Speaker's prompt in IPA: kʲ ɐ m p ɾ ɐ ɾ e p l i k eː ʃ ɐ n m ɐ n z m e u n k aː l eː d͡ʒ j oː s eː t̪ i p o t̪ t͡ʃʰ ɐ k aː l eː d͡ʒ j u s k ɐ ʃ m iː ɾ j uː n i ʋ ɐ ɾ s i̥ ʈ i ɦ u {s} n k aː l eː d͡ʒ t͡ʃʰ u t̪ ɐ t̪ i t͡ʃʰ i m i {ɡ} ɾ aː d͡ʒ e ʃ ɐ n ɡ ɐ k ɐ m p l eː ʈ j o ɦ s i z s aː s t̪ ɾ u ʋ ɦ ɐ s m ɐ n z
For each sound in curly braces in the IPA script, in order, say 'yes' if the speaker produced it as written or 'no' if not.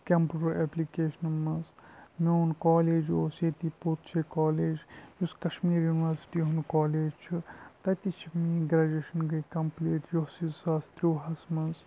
no, yes

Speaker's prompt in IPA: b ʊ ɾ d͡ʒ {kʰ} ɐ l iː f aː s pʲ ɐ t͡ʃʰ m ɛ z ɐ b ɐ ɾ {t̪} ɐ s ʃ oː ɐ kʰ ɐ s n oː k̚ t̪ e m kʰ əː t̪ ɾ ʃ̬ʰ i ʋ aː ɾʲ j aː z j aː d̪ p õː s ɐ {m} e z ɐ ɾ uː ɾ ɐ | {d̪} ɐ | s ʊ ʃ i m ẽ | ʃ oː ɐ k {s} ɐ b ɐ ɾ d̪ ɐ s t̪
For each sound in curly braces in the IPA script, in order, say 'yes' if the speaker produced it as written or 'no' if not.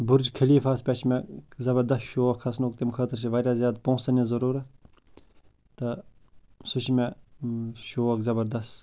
yes, no, no, no, no

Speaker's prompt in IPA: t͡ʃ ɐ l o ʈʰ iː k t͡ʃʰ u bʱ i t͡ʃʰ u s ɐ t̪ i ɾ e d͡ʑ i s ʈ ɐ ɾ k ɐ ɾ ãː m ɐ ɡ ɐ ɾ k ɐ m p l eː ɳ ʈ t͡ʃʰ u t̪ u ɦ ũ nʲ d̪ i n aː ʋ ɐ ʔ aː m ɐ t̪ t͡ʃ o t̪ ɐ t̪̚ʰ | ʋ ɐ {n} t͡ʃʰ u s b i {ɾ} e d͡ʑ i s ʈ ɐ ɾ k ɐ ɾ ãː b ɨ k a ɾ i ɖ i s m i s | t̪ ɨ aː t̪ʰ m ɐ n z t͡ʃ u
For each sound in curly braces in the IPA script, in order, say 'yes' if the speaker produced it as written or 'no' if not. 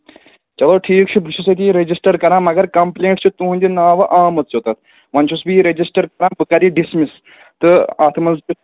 yes, yes

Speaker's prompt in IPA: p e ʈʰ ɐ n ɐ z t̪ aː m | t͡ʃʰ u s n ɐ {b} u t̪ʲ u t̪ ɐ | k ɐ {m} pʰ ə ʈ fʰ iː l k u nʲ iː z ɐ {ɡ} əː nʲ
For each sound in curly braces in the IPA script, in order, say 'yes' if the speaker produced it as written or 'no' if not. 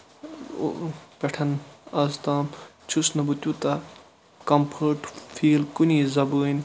yes, yes, no

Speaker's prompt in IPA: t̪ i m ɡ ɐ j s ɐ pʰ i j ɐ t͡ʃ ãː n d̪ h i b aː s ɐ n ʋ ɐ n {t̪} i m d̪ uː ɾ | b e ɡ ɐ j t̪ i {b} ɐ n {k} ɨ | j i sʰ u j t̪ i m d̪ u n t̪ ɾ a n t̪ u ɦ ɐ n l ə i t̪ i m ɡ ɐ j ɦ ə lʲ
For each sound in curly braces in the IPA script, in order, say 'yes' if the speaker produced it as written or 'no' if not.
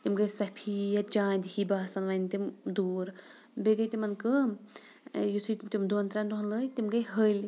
yes, no, yes

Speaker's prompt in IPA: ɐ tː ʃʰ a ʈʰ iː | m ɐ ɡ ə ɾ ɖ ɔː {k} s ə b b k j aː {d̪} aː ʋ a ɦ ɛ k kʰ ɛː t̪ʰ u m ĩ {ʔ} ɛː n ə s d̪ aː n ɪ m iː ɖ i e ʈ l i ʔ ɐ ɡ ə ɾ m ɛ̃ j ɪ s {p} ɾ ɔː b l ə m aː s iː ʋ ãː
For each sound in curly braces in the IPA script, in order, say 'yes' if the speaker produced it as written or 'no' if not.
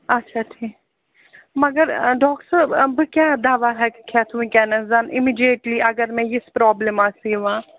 yes, yes, no, yes

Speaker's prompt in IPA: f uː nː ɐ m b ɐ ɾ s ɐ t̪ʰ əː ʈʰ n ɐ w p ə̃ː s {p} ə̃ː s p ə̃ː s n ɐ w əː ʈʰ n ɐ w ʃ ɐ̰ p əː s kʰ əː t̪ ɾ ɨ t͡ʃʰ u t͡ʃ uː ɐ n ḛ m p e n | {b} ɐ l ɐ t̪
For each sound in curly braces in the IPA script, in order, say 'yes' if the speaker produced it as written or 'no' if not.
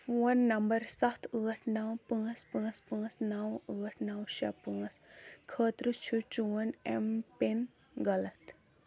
yes, no

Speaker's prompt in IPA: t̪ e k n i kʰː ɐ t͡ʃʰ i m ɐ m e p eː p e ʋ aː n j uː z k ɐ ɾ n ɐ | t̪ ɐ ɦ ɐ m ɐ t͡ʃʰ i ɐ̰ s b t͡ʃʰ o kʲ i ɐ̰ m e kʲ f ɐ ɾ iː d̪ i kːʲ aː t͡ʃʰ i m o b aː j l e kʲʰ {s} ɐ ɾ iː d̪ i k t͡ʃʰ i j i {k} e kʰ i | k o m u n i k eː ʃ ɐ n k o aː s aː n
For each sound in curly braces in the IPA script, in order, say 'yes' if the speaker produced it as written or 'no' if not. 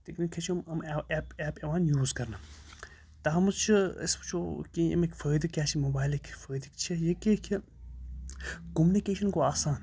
no, yes

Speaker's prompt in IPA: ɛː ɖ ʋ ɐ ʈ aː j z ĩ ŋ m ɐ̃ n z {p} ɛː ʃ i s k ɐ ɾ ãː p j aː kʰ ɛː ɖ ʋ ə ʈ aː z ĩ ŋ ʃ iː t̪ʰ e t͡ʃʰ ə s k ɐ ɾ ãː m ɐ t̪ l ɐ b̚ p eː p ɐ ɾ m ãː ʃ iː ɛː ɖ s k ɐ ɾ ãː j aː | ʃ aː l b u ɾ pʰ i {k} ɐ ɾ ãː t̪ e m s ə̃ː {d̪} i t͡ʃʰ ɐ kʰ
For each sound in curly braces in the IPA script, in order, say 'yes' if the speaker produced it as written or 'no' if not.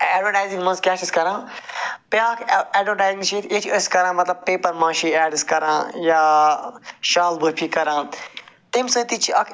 no, yes, no

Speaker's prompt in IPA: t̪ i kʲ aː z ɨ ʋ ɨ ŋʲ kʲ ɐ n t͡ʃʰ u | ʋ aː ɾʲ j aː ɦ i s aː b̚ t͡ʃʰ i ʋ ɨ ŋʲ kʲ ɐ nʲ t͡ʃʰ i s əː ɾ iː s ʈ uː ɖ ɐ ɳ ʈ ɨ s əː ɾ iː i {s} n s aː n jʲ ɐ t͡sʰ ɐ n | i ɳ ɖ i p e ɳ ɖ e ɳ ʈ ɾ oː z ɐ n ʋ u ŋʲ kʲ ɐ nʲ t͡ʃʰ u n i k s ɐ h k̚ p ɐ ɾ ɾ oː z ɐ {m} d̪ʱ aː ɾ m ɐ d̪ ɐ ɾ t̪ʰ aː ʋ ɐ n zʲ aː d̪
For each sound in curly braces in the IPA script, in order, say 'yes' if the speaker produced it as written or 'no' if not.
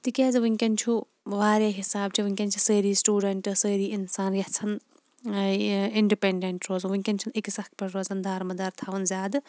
no, no

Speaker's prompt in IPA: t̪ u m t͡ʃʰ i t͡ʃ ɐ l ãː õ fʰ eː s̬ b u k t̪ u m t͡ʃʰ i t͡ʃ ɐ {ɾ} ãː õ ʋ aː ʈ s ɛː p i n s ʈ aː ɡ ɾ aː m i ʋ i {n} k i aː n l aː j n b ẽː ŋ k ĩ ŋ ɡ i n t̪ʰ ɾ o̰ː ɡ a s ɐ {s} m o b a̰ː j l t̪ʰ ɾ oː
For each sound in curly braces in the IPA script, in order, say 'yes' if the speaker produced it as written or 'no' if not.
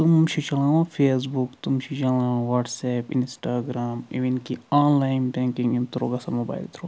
no, yes, no

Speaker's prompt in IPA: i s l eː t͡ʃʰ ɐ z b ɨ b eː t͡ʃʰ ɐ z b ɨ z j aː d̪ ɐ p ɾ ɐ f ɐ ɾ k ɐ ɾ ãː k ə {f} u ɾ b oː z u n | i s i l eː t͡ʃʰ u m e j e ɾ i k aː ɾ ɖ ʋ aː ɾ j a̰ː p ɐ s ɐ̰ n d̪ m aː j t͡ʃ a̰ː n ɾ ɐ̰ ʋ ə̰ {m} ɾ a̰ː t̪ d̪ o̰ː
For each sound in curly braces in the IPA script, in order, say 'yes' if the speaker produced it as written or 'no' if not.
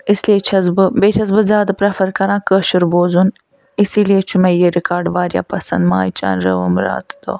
no, yes

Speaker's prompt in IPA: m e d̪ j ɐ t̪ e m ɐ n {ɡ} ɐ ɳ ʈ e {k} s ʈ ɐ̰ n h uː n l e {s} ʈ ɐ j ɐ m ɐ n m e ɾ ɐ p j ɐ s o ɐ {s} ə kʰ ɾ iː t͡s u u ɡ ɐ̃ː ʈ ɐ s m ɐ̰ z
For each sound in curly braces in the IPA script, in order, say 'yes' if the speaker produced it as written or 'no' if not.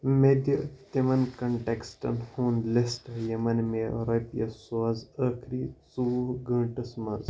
no, yes, yes, no

